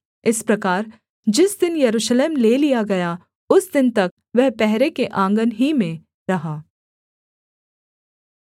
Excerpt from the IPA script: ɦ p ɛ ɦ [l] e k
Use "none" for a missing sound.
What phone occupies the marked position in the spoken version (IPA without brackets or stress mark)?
ɾ